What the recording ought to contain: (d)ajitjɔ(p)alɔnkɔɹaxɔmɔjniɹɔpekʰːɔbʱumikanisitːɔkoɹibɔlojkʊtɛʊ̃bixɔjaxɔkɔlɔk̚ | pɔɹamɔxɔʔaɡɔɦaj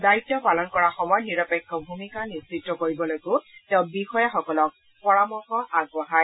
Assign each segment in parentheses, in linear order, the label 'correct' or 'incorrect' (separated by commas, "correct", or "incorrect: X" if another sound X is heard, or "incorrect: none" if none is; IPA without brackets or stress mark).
correct, correct